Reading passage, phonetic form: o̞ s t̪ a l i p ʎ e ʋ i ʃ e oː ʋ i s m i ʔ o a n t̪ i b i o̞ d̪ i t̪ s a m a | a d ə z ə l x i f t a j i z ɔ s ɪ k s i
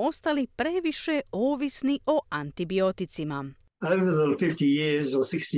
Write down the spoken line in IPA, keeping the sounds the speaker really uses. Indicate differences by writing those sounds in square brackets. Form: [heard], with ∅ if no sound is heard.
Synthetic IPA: o̞ s t̪ a l i p [ɾ] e ʋ i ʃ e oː ʋ i s [n] i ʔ o a n t̪ i b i o̞ [t̪] i t̪ s [i] m a | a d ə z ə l [f] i f t [i] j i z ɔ s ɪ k s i